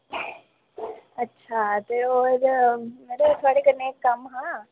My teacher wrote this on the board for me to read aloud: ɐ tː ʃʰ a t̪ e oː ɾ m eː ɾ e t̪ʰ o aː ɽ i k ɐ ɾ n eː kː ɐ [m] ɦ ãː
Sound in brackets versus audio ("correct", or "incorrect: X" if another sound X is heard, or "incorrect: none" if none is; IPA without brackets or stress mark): correct